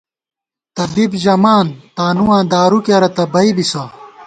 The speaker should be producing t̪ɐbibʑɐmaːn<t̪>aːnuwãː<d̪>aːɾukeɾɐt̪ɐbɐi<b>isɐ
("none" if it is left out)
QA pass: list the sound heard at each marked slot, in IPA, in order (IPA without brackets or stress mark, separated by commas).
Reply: t̪, d̪, b